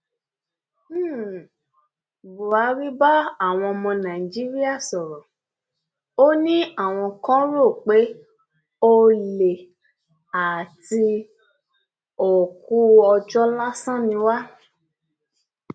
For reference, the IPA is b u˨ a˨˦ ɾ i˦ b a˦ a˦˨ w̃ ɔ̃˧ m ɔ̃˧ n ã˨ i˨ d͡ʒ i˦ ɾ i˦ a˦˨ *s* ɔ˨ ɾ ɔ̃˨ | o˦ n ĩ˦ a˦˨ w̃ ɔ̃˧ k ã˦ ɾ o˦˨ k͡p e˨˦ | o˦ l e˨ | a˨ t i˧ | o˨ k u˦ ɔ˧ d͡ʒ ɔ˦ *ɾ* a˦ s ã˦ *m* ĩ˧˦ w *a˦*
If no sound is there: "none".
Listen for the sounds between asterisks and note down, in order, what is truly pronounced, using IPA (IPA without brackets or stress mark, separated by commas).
s, l, n, a˦